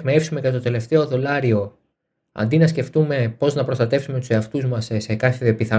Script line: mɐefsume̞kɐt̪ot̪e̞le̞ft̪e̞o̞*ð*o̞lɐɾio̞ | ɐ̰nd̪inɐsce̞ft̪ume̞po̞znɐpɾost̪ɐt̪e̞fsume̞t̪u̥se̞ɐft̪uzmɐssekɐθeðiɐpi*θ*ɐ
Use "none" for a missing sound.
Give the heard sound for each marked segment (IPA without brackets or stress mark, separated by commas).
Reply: ð, θ